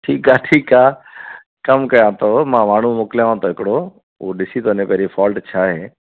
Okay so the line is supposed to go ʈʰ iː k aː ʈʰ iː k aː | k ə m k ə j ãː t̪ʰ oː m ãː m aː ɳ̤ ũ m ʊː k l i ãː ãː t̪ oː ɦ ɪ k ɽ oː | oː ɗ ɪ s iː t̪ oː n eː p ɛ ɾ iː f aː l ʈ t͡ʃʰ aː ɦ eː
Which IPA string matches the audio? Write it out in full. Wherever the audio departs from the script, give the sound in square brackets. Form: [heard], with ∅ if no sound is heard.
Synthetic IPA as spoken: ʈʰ iː k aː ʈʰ iː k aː | k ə m k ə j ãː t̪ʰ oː m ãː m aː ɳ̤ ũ m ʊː k l [j] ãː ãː t̪ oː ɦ ɪ k ɽ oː | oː ɗ ɪ s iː t̪ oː n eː p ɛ ɾ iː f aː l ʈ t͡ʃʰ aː ɦ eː

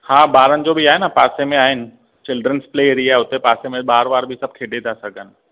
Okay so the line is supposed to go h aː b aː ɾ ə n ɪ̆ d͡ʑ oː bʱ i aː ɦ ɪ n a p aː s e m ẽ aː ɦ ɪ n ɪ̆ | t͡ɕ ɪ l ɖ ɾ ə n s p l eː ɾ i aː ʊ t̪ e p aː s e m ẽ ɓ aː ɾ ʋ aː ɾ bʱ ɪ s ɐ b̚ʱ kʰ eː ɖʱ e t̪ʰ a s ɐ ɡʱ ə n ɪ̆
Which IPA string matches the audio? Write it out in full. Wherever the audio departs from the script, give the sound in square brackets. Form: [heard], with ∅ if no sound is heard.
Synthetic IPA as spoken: h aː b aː ɾ ə n ɪ̆ d͡ʑ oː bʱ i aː ɦ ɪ n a p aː s e m ẽ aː ɦ ɪ n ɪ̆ | t͡ɕ ɪ l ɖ ɾ ə n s p l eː ɾ i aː ʊ t̪ e p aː s e m ẽ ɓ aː ɾ ʋ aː ɾ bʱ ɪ s ɐ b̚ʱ kʰ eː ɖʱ e t̪ʰ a s ɐ ɡʱ ə n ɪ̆

